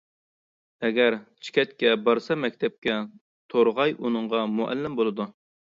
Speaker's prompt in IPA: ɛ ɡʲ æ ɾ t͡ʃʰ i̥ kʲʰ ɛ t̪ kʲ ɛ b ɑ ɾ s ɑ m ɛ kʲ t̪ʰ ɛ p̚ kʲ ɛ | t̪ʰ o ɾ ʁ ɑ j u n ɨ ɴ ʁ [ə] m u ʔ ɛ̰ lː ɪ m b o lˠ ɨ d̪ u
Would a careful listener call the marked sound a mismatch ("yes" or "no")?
yes